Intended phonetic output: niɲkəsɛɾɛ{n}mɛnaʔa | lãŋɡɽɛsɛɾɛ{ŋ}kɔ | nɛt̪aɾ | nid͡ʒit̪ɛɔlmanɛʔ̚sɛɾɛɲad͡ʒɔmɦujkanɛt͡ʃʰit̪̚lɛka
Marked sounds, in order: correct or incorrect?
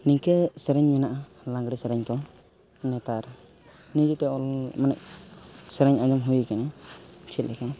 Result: incorrect, incorrect

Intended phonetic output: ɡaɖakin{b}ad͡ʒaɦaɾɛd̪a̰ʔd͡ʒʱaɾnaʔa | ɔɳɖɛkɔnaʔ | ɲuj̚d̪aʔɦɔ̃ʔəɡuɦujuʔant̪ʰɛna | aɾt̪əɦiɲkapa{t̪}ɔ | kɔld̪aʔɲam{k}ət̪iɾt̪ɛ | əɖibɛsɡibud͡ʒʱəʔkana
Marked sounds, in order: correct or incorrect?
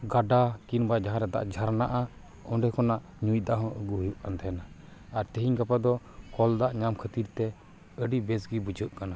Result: correct, incorrect, incorrect

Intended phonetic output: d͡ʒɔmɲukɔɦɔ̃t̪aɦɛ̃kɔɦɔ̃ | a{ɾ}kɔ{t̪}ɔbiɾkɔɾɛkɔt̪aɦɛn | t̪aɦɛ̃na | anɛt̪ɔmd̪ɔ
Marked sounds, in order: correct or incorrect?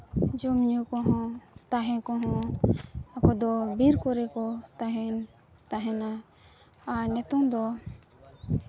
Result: incorrect, incorrect

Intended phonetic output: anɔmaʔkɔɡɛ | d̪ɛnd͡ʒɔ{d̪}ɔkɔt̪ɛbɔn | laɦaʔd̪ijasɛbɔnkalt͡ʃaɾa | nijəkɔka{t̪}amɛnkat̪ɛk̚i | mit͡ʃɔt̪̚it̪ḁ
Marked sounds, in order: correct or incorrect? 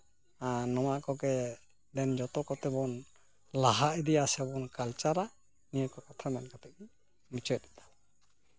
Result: incorrect, incorrect

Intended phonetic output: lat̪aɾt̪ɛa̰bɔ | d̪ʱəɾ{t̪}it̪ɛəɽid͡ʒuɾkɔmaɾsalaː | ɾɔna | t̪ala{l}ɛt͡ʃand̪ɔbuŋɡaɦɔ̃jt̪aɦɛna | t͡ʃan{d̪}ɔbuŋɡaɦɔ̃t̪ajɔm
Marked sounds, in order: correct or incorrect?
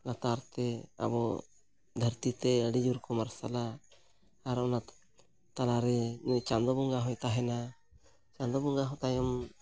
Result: correct, incorrect, correct

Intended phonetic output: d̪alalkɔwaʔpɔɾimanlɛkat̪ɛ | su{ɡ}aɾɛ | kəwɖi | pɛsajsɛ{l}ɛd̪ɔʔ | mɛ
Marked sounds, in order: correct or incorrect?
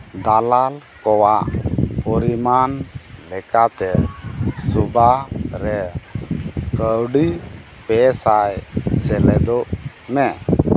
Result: incorrect, correct

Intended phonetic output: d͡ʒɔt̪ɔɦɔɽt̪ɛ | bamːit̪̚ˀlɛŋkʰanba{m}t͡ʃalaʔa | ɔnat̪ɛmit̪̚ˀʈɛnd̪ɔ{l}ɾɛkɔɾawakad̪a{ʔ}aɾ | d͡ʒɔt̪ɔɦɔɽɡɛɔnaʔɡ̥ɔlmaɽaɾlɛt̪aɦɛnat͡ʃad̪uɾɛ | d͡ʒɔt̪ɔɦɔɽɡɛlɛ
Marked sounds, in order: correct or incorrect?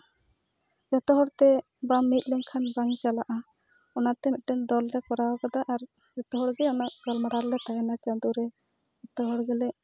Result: incorrect, correct, correct

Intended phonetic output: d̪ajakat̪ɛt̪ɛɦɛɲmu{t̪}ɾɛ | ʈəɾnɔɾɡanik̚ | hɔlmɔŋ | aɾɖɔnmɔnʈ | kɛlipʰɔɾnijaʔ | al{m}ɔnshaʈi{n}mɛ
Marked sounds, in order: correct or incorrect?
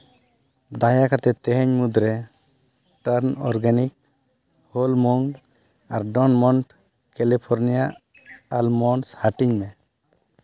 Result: incorrect, correct, incorrect

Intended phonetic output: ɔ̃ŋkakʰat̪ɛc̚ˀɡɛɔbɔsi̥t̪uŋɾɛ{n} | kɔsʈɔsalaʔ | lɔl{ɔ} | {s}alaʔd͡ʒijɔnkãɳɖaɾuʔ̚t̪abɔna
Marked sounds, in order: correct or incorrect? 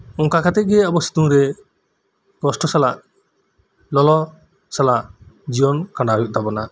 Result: incorrect, correct, correct

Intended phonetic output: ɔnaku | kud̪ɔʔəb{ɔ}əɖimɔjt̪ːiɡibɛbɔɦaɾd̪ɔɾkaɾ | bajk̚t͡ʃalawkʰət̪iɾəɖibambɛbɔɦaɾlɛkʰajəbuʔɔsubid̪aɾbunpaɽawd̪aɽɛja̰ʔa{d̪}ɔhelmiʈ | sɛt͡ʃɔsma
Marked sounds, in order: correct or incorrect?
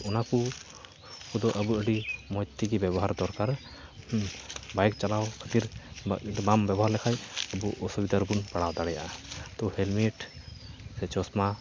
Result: incorrect, incorrect

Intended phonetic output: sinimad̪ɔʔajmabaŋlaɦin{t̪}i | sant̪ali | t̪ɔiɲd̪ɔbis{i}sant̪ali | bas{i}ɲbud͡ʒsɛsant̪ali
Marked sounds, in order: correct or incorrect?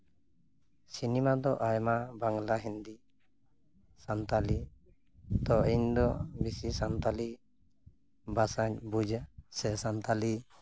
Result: incorrect, correct, incorrect

